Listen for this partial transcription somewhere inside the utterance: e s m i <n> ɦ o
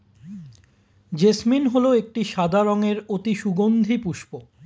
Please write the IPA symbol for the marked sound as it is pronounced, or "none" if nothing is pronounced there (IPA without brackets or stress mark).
n